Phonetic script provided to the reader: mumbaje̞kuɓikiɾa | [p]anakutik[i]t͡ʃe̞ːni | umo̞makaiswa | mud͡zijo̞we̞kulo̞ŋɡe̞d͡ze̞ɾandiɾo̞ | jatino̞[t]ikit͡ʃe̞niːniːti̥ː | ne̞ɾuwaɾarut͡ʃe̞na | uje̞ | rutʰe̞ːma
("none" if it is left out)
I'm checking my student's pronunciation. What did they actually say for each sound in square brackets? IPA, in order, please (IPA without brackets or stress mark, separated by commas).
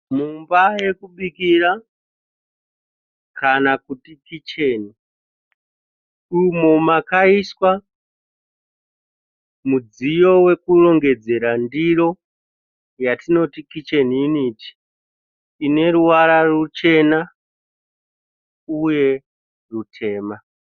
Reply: k, i, t